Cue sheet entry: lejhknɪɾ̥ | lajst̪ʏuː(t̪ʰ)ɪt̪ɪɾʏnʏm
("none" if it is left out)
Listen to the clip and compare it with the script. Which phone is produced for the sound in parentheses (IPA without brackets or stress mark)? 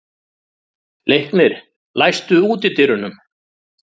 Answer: t̪